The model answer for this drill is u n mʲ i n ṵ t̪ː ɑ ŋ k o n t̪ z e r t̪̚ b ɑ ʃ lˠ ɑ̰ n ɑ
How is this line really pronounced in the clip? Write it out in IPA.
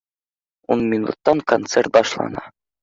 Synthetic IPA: u n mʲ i n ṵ t̪ː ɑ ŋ k o n t̪ s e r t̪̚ b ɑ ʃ lˠ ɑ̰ n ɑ